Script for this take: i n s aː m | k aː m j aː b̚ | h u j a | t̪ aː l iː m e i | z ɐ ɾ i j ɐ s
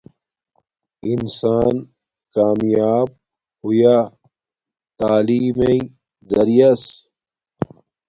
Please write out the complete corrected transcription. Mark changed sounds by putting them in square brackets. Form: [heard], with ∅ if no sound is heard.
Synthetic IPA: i n s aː [n] | k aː m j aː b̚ | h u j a | t̪ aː l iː m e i | z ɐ ɾ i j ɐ s